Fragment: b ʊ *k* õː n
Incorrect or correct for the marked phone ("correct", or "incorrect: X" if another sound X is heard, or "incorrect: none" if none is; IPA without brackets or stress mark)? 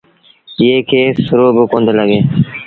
correct